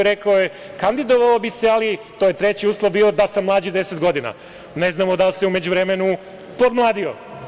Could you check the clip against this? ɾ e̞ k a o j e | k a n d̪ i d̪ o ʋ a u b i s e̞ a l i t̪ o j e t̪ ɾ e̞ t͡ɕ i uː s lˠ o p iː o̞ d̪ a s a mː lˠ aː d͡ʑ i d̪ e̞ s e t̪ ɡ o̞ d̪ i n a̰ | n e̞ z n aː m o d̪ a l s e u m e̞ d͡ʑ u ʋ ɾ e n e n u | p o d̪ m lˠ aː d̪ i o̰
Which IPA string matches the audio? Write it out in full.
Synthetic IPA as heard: ɾ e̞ k a o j e | k a n d̪ i d̪ o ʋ a o b i s e̞ a l i t̪ o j e t̪ ɾ e̞ t͡ɕ i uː s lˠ o b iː o̞ d̪ a s a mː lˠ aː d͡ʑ i d̪ e̞ s e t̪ ɡ o̞ d̪ i n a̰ | n e̞ z n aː m o d̪ a l s e u m e̞ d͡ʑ u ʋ ɾ e m e n u | p o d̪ m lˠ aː d̪ i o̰